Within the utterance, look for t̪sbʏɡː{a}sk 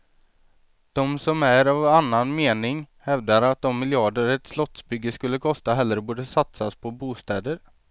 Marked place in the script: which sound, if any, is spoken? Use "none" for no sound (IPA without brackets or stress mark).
ə